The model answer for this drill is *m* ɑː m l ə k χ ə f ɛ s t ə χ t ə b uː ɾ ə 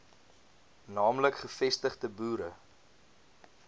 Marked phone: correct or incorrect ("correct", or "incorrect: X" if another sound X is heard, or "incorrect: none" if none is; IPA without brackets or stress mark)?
incorrect: n